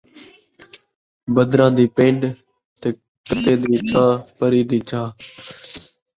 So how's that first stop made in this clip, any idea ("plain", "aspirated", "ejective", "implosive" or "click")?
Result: plain